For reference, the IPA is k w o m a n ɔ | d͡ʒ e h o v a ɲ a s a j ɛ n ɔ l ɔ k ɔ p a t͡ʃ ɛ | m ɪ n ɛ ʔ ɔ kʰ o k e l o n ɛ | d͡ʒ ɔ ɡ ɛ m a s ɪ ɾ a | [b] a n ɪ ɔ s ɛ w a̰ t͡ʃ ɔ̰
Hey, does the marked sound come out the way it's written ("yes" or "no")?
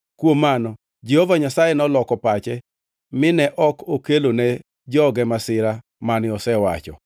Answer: no